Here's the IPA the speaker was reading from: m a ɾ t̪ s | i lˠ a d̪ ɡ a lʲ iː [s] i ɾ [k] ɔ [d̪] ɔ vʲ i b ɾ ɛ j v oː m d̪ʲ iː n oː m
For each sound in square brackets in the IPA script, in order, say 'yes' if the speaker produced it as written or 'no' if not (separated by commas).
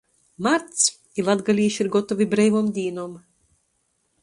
no, no, no